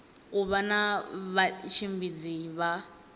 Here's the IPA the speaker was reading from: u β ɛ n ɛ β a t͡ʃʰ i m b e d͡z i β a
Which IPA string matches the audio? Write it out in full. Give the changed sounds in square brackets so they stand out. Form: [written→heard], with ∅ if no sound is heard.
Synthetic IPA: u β [ɛ→a] n [ɛ→a] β a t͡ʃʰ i m b [e→i] d͡z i β a